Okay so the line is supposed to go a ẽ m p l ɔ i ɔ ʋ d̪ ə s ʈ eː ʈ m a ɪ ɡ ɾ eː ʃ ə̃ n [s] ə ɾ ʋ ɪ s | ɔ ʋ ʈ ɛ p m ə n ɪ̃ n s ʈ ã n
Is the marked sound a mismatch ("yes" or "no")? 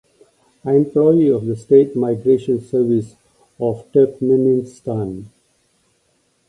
no